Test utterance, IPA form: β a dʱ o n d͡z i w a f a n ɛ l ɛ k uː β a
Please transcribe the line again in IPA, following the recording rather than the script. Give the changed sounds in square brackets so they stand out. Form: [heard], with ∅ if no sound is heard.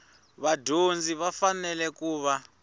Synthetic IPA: β a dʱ o n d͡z i [β] a f a n ɛ l ɛ k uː β a